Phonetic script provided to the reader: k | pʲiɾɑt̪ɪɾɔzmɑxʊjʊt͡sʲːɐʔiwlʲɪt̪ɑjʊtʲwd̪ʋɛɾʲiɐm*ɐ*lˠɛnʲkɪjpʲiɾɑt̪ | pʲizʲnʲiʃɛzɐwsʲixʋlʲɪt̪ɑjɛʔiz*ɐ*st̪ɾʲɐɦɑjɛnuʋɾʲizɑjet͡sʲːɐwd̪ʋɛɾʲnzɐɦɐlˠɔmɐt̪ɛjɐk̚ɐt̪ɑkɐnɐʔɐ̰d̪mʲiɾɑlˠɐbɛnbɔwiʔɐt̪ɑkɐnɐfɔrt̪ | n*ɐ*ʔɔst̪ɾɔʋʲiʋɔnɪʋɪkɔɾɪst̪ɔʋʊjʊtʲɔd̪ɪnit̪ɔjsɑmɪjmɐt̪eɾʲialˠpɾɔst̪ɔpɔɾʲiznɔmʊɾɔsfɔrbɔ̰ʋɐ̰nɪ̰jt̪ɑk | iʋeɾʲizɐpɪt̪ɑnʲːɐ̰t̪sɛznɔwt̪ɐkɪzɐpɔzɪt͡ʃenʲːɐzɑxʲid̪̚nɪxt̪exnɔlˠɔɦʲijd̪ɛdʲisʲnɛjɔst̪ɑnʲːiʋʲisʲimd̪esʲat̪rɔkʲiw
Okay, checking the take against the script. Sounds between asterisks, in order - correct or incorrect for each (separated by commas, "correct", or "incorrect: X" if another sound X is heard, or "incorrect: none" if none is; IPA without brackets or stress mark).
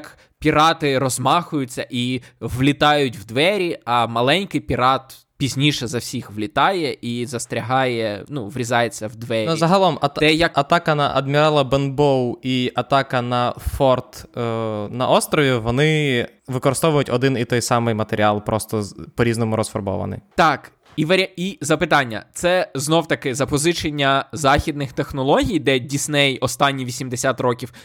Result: correct, correct, correct